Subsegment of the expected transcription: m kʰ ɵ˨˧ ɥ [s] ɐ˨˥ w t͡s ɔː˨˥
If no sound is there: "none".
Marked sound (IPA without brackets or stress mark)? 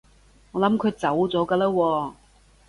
t͡s